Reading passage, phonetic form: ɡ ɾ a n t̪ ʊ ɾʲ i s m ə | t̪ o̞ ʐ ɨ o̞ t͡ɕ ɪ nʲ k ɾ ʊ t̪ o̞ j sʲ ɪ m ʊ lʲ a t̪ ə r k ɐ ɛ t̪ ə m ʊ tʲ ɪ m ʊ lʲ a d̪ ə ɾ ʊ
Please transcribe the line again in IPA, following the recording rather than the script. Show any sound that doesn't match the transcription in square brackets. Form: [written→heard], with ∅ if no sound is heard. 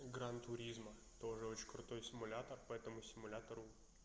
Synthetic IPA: ɡ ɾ a n t̪ ʊ ɾʲ i [s→z] m ə | t̪ o̞ ʐ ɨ o̞ t͡ɕ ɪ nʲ k ɾ ʊ t̪ o̞ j sʲ ɪ m ʊ lʲ a t̪ ə r [k→p] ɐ ɛ t̪ ə m ʊ [tʲ→sʲ] ɪ m ʊ lʲ a [d̪→t̪] ə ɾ ʊ